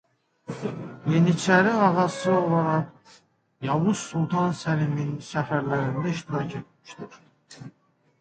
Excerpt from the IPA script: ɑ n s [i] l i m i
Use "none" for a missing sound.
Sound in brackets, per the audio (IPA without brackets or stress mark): æ